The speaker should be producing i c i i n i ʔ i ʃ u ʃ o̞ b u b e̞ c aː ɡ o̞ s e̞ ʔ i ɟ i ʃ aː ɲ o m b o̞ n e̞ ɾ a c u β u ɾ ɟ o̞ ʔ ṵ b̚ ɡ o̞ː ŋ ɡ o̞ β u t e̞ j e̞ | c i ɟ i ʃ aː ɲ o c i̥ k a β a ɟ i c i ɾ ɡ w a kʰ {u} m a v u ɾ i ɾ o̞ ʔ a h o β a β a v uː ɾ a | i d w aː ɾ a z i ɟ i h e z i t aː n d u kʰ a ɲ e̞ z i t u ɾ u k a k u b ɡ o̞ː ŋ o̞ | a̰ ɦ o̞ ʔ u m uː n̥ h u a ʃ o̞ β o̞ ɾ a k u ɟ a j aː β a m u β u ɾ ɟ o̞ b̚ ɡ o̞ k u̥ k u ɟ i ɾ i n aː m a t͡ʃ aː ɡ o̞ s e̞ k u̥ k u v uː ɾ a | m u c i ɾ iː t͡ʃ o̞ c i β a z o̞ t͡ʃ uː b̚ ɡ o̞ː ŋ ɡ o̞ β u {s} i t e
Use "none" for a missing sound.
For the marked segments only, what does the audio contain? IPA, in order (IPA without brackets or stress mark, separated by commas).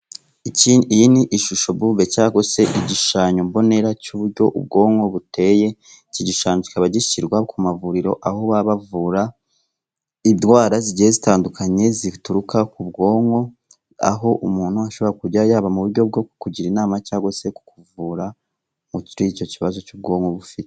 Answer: u, f